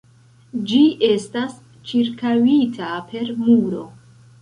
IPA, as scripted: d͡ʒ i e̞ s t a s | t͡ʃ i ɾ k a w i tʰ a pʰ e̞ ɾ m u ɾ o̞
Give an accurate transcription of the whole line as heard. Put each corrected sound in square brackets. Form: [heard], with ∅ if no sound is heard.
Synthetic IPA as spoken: d͡ʒ i e̞ s t a s | t͡ʃ i ɾ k a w i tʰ a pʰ e̞ ɾ m u ɾ o̞